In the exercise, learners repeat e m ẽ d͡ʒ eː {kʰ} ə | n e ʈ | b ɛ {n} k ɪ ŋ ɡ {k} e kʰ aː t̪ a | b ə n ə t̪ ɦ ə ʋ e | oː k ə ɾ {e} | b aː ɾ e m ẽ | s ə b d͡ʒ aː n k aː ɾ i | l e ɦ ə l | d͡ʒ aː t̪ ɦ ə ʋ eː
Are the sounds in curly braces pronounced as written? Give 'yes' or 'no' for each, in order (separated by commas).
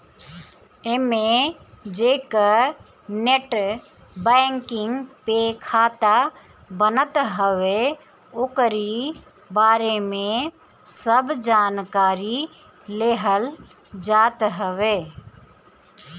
no, no, no, no